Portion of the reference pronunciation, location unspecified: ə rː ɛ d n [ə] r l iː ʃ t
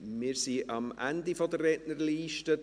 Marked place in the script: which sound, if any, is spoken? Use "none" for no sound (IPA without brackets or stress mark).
ə